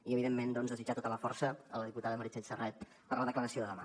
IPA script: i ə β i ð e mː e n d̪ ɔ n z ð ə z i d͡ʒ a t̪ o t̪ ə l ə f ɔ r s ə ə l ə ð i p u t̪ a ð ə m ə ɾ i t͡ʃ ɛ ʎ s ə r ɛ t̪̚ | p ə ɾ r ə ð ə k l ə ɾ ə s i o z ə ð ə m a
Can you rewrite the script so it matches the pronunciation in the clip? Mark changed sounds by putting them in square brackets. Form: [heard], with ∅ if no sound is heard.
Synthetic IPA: i ə β i ð e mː e n d̪ ɔ n z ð ə z i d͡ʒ a t̪ o t̪ ə l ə f ɔ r s ə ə l ə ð i p u t̪ a ð ə m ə ɾ i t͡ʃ ɛ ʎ s ə r ɛ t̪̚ | p ə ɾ [l] ə ð ə k l ə ɾ ə s i o [ð] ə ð ə m a